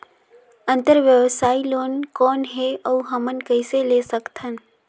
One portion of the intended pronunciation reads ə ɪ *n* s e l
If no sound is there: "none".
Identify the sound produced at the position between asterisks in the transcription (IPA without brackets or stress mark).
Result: none